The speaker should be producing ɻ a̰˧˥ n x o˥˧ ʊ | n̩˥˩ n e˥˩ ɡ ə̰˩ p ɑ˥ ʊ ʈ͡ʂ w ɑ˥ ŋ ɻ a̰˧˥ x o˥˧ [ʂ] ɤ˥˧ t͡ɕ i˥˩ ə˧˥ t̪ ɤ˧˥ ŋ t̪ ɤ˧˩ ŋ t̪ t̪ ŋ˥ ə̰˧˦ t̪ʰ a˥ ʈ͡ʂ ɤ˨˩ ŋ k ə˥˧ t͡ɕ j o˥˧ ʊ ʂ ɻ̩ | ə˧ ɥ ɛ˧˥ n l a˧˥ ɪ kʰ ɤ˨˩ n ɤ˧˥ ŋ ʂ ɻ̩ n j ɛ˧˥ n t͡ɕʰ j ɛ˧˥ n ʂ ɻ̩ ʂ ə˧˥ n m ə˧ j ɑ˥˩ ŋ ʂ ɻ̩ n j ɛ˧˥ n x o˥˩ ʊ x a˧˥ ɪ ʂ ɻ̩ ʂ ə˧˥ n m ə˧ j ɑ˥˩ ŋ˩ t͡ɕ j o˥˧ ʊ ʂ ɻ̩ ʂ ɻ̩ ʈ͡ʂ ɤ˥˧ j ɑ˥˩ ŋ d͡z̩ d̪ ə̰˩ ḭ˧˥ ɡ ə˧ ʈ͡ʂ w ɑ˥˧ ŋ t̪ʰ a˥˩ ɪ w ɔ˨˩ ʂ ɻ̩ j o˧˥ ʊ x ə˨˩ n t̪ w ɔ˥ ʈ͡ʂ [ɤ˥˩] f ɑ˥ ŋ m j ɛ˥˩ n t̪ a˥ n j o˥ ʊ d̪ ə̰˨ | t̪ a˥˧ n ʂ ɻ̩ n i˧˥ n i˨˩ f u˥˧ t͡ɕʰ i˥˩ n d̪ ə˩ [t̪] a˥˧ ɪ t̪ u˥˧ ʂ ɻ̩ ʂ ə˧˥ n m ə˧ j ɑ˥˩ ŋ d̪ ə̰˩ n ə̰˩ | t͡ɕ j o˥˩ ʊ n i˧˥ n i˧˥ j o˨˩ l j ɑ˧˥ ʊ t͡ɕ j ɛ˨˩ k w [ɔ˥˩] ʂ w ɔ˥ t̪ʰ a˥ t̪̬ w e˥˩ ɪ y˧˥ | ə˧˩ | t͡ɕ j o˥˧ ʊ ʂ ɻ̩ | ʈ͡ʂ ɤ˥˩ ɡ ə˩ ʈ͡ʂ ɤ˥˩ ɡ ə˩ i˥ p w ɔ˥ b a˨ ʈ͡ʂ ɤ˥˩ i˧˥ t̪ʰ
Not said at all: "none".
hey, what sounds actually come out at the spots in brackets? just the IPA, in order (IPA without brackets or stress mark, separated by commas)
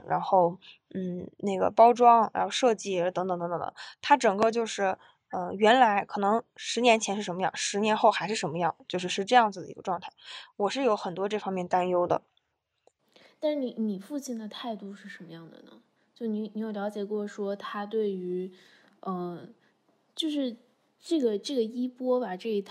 ʂ, ɤ˥˩, t̪ʰ, ɔ˥˩